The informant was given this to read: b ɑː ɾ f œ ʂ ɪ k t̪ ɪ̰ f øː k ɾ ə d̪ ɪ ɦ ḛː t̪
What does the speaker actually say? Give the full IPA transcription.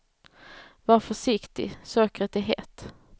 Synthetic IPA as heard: v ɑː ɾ f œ ʂ ɪ k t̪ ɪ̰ s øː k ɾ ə t̪ ɪ ɦ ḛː t̪